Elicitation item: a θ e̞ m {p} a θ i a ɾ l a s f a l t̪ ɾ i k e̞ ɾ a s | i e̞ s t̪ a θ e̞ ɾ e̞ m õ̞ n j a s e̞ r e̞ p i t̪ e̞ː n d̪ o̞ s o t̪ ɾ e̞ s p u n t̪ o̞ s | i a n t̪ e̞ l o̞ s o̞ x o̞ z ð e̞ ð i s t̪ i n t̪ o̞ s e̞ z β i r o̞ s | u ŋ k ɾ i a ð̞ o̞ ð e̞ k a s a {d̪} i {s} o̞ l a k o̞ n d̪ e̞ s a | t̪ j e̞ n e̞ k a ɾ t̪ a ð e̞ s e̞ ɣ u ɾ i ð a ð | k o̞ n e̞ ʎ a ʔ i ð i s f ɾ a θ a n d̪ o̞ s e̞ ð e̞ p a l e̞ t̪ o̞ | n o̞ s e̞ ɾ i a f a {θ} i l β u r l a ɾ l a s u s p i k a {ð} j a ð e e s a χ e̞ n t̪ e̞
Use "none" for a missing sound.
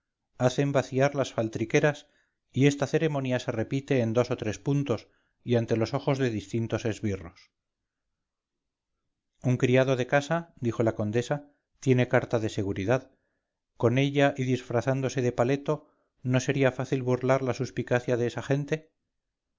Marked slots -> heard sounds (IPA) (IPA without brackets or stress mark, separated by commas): b, d̪, x, θ, θ